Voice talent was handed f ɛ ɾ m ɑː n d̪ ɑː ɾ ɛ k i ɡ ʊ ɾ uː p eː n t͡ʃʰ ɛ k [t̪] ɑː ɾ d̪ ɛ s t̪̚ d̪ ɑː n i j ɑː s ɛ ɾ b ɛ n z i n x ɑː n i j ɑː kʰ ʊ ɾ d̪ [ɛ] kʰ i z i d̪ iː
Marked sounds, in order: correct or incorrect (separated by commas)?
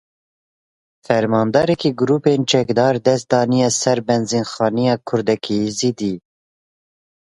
incorrect, correct